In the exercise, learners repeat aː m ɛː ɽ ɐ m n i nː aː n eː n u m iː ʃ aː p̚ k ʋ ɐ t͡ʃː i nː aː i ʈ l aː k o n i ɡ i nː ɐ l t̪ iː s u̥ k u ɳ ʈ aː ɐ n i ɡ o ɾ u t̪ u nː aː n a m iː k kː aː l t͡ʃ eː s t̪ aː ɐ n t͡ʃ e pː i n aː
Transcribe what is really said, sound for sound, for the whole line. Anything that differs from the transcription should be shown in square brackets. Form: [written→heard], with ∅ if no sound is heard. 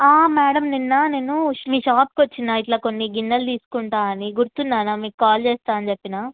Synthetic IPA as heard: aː m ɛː ɽ ɐ m n i nː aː n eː n u m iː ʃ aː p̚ k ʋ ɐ t͡ʃː i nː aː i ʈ l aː k o [n→nː] i ɡ i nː ɐ l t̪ iː s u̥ k u ɳ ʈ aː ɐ n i ɡ [o→u] ɾ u t̪ u nː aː n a m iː k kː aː l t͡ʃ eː s t̪ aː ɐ n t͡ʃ e pː i n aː